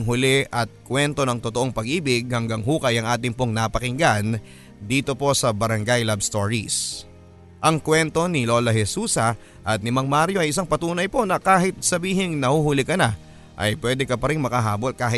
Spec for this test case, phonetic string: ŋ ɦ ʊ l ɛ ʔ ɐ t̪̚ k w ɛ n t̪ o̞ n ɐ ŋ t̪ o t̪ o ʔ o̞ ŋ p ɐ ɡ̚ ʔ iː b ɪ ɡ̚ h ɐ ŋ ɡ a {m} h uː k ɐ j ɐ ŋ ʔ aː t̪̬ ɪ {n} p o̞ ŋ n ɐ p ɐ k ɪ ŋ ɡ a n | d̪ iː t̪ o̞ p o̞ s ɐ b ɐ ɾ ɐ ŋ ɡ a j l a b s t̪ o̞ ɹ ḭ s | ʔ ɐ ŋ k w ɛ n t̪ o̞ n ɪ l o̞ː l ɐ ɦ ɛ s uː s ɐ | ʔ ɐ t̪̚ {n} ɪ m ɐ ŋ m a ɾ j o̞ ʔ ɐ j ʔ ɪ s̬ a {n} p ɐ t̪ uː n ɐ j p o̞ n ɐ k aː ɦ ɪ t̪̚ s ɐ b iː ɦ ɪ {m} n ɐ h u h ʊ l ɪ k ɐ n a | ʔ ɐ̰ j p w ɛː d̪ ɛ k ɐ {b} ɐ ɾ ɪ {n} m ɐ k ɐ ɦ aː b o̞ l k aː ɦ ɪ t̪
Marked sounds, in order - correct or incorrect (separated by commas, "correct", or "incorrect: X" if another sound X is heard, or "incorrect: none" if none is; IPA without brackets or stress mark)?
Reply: incorrect: ŋ, incorrect: ŋ, correct, incorrect: ŋ, incorrect: ŋ, incorrect: p, incorrect: ŋ